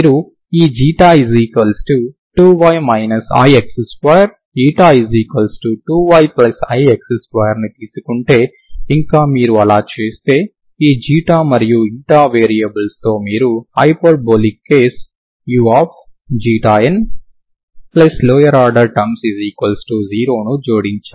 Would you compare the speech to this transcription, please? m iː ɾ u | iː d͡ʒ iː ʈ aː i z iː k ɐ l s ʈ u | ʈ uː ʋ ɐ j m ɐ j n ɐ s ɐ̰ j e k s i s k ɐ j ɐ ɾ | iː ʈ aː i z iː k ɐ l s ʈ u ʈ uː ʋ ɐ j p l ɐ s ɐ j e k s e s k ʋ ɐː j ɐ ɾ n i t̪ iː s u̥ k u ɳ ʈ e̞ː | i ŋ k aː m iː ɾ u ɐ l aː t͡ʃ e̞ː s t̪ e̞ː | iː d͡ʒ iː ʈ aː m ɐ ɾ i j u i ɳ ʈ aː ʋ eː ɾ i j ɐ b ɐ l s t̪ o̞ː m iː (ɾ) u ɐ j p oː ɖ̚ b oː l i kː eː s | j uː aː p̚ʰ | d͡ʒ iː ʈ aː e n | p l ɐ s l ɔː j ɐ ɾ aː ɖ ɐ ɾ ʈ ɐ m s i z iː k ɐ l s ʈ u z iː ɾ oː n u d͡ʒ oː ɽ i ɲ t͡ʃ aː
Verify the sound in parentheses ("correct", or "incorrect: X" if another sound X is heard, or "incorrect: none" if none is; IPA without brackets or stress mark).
correct